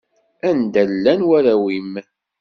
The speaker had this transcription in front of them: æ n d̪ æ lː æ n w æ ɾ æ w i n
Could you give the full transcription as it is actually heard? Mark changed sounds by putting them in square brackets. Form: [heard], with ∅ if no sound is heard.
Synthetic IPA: æ n d̪ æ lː æ n w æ ɾ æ w i [m]